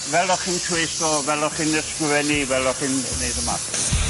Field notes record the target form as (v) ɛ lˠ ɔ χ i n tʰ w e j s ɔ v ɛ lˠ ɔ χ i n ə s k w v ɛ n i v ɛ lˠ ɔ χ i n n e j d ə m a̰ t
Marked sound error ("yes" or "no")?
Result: no